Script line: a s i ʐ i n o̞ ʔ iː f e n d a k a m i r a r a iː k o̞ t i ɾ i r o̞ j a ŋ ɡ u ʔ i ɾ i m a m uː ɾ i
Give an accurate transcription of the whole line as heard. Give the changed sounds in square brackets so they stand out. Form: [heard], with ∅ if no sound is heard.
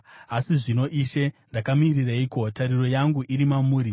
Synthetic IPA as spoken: a s i ʐ i n o̞ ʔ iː [ʃ] e n d a k a m i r [i] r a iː k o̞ t [a] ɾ i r o̞ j a ŋ ɡ u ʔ i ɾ i m a m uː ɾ i